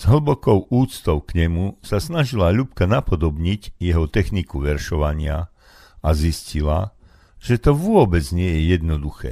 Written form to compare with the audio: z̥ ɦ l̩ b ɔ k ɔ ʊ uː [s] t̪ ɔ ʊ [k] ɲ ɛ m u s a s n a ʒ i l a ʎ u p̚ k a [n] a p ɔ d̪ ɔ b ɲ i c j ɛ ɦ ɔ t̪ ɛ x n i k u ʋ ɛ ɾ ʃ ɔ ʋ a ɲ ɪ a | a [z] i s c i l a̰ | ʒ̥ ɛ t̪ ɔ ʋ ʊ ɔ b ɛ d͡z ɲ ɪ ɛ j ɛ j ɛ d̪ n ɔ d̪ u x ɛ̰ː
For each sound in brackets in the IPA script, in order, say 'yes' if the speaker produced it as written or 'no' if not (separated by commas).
no, yes, yes, yes